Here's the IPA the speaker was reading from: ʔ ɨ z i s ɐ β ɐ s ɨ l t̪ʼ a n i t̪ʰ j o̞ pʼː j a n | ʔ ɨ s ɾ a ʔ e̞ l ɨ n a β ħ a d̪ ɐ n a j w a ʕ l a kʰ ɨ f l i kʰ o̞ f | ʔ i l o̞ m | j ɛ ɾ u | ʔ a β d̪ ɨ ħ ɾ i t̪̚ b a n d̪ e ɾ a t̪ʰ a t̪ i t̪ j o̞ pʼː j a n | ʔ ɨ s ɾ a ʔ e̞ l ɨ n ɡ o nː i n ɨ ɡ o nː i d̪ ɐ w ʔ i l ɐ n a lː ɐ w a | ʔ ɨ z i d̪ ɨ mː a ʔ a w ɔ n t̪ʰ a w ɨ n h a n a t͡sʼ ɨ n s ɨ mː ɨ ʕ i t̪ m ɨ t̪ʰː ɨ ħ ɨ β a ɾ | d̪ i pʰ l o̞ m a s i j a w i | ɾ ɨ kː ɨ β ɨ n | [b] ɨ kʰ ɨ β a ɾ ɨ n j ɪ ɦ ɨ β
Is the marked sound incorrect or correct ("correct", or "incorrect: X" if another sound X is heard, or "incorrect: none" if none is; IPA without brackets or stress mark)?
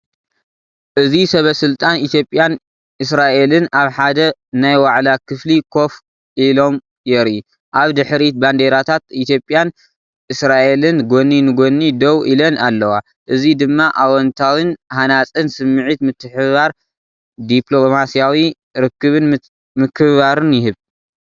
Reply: incorrect: m